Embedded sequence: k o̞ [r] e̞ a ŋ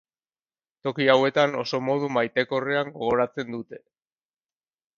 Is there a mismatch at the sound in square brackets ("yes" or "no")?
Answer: no